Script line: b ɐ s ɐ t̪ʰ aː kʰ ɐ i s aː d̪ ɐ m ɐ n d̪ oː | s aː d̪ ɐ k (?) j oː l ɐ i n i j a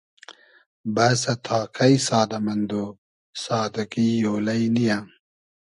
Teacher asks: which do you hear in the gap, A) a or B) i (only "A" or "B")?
B